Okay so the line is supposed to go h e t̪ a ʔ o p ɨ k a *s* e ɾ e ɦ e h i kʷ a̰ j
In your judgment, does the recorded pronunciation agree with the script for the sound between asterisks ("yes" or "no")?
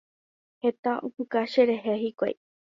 no